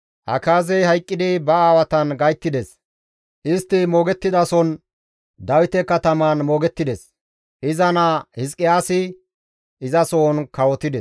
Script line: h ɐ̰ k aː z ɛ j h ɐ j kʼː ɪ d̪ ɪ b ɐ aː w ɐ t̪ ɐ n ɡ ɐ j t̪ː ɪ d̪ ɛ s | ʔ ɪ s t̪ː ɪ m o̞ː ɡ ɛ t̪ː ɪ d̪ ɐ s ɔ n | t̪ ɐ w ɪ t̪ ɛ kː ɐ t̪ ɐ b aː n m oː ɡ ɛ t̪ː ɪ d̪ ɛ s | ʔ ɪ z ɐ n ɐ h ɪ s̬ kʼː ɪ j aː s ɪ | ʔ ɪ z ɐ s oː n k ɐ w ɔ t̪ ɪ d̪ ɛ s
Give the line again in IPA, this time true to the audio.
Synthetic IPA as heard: h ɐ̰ k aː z ɛ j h ɐ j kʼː ɪ d̪ ɪ b ɐ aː w ɐ t̪ ɐ n ɡ ɐ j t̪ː ɪ d̪ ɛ s | ʔ ɪ s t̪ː ɪ m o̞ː ɡ ɛ t̪ː ɪ d̪ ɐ s ɔ n | d̪ ɐ w ɪ t̪ ɛ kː ɐ t̪ ɐ m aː n m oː ɡ ɛ t̪ː ɪ d̪ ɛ s | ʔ ɪ z ɐ n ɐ h ɪ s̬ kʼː ɪ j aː s ɪ | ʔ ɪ z ɐ s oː n k ɐ w ɔ t̪ ɪ d̪ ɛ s